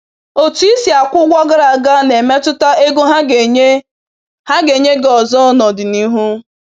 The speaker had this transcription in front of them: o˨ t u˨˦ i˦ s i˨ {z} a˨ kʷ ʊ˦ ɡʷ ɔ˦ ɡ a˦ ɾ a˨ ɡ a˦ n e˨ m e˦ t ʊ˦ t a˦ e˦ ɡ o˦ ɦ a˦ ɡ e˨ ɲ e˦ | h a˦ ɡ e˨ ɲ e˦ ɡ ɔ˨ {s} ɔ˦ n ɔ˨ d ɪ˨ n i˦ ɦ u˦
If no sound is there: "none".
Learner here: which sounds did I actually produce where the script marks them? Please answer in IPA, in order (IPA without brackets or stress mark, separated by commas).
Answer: none, z